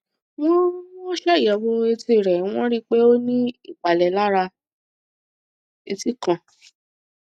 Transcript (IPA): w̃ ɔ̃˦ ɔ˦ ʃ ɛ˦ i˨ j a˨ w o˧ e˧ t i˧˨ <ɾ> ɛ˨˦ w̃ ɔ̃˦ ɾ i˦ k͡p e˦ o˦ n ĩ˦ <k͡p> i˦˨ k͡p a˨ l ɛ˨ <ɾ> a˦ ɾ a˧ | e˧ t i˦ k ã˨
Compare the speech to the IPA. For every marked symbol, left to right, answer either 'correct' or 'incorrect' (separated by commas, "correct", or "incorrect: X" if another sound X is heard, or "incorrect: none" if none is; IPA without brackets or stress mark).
correct, incorrect: none, incorrect: l